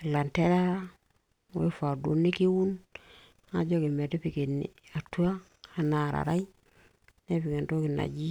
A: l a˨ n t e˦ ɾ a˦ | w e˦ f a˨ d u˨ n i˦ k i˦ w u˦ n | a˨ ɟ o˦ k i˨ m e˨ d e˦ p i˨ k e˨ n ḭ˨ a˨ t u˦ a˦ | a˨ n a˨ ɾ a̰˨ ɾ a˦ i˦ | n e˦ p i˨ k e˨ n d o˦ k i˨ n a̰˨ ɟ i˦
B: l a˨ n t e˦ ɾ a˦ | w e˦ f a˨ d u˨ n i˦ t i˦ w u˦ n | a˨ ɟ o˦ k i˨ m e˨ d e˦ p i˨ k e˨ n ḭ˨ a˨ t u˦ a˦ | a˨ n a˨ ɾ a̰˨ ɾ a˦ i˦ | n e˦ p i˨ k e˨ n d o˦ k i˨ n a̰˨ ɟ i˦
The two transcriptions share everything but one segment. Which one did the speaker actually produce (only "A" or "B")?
A